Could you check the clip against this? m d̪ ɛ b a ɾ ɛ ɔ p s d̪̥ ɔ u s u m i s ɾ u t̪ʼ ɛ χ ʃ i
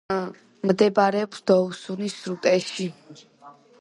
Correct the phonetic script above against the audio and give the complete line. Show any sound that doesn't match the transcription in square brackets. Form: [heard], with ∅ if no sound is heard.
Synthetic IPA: m d̪ ɛ b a ɾ ɛ ɔ p s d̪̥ ɔ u s u [n] i s ɾ u t̪ʼ ɛ [ʃ] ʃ i